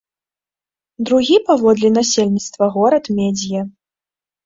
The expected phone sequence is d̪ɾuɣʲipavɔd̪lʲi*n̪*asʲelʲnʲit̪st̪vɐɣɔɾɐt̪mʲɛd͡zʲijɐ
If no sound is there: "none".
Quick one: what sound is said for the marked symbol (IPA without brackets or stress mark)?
n̪